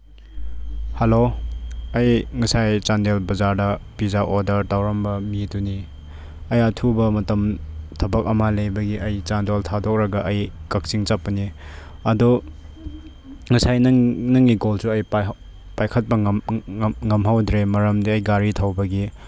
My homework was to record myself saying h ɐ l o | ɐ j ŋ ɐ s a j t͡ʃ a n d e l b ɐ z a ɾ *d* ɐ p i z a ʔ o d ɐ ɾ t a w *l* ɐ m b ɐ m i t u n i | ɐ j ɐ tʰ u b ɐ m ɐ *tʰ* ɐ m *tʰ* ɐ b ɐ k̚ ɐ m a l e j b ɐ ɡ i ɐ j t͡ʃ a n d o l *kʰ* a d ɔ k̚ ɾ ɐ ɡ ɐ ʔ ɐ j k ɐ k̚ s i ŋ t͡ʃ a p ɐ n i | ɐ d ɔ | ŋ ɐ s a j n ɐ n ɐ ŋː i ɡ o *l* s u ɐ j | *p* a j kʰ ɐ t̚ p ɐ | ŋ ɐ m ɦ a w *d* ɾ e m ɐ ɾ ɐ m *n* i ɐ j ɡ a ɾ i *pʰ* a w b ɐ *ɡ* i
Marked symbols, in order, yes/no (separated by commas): yes, no, no, yes, no, yes, yes, yes, no, no, yes